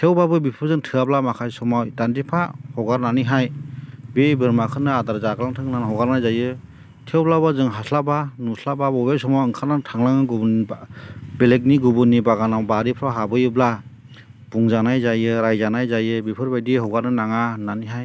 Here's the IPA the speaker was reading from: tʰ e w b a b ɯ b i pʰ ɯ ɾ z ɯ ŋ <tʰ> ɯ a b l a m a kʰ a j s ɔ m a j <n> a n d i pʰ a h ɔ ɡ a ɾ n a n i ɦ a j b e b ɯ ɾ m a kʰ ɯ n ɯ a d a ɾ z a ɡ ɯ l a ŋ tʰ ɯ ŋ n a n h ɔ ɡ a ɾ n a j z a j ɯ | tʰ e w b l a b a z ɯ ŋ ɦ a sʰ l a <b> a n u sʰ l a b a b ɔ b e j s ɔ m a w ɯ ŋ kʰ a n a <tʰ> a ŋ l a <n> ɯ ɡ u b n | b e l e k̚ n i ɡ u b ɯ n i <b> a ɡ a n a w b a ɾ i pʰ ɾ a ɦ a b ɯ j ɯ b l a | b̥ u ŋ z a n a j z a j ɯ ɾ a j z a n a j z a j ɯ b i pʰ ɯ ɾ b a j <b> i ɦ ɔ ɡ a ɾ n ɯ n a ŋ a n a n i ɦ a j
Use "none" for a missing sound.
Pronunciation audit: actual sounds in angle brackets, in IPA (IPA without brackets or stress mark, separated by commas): tʰ, d, b, tʰ, ŋ, b, d